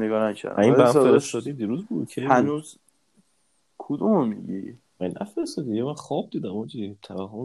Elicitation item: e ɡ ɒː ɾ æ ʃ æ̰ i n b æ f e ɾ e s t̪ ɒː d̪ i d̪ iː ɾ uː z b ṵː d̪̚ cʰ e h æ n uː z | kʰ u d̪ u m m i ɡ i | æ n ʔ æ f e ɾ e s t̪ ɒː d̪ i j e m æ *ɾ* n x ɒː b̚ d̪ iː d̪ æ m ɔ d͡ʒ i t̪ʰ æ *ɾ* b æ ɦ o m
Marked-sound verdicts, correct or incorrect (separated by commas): incorrect, incorrect